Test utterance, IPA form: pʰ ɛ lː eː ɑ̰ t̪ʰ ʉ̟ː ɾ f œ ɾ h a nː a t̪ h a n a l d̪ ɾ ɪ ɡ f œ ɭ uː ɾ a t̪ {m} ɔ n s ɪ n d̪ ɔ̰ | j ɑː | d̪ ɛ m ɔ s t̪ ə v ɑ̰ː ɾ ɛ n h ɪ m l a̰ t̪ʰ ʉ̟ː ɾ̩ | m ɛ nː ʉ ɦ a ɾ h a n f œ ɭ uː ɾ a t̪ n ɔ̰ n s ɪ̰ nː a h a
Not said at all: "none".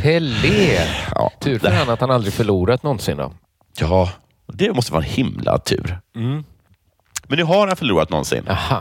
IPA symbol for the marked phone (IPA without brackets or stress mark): n